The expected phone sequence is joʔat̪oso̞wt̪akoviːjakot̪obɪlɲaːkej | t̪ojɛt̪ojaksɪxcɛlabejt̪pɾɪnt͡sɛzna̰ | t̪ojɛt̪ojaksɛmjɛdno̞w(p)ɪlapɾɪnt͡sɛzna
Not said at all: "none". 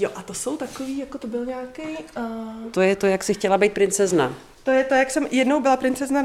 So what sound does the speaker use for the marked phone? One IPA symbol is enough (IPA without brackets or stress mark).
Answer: b